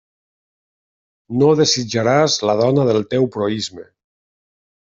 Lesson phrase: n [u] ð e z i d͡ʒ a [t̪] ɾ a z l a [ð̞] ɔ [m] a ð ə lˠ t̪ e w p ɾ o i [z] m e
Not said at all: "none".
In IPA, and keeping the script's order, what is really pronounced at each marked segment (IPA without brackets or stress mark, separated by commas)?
o, none, ð̞, n, z